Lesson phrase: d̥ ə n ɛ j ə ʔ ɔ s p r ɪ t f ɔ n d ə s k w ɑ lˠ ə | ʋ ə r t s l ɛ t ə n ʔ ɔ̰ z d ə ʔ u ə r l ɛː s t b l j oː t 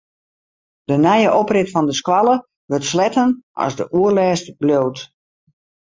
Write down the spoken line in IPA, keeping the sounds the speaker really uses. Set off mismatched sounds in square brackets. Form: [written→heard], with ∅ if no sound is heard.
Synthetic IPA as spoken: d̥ ə n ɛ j ə ʔ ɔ [s→∅] p r ɪ t f ɔ n d ə s k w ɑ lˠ ə | ʋ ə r t s l ɛ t ə n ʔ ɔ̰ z d ə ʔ u ə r l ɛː s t b l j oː t